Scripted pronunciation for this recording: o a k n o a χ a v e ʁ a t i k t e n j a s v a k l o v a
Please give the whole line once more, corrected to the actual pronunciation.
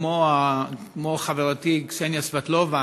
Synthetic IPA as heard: o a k m o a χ a v e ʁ a t i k s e n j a s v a t l o v a

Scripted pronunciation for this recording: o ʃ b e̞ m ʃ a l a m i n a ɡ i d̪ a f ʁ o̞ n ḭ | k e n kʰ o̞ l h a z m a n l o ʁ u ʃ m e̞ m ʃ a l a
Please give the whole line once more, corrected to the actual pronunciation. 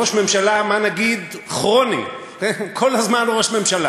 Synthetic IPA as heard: o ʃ m e̞ m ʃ a l a m a n a ɡ i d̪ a χ ʁ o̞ n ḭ | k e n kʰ o̞ l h a z m a n l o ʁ o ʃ m e̞ m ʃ a l a

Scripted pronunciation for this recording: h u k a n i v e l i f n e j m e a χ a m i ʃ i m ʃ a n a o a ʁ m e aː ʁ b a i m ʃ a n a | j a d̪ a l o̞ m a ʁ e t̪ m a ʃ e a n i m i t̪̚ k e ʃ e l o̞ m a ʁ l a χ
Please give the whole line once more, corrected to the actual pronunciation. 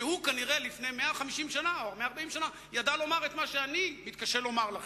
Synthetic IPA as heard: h u k a n i ʁ e l i f n e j m e a χ a m i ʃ i m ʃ a n a o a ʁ m e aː ʁ b a i m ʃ a n a | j a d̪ a l o̞ m a ʁ e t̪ m a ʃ e a n i m i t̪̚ k a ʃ e l o̞ m a ʁ l a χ

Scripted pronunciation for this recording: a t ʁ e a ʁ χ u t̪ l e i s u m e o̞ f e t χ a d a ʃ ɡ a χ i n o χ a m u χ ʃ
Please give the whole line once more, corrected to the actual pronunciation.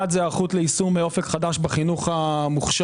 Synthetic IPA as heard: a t z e a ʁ χ u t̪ l e i s u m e o̞ f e k χ a d a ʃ b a χ i n u χ a m u χ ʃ

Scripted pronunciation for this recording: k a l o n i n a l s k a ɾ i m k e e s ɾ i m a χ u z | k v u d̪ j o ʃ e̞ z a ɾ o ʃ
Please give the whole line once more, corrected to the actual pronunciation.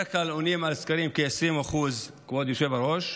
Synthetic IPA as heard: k a l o n i m a l s k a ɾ i m k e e s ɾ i m a χ u z | k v o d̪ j o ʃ e̞ v a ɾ o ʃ

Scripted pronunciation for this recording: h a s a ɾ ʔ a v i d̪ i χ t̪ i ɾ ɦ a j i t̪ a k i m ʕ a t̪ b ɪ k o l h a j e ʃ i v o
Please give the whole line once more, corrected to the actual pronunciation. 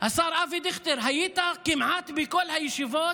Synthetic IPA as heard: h a s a ɾ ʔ a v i d̪ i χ t̪ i ɾ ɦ a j i t̪ a k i m ʕ a t̪ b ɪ k o l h a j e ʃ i v o

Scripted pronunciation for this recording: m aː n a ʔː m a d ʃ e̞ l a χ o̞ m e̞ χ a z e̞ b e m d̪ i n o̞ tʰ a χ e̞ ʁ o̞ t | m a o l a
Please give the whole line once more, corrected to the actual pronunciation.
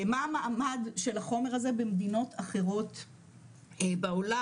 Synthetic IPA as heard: m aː m a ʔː m a d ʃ e̞ l a χ o̞ m e̞ ʁ a z e̞ b e m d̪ i n o̞ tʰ a χ e̞ ʁ o̞ t | b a o l a

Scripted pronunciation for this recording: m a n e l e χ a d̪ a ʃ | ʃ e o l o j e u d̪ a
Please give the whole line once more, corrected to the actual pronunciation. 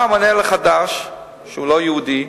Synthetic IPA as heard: m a n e l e χ a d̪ a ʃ | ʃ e u l o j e u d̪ i

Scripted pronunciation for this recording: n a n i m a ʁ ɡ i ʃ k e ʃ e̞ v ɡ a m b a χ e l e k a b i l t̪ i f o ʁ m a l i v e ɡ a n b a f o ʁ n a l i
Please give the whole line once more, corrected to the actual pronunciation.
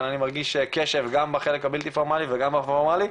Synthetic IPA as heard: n a n i m a ʁ ɡ i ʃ k e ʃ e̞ v ɡ a m b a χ e l e k a b i l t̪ i f o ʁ m a l i v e ɡ a m b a f o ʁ m a l i

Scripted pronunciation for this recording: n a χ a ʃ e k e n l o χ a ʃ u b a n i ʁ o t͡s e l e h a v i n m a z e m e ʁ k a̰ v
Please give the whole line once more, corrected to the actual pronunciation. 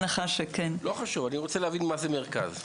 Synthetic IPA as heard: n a χ a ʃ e k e n l o χ a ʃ u v a n i ʁ o t͡s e l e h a v i n m a z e m e ʁ k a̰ z

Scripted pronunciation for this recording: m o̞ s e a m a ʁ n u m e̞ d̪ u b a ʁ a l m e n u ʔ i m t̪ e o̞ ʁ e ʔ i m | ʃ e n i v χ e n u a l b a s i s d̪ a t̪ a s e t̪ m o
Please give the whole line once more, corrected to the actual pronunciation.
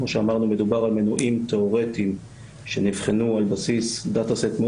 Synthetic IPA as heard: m o̞ ʃ e a m a ʁ n u m e̞ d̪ u b a ʁ a l m e n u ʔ i m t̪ e o̞ ʁ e t i m | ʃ e n i v χ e n u a l b a s i s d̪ a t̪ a s e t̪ m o

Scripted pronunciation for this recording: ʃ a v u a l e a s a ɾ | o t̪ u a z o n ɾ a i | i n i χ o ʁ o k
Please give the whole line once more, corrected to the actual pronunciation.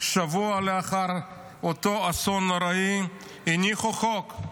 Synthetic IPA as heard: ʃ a v u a l e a χ a ɾ | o t̪ o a s o n ɾ a i | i n i χ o χ o k

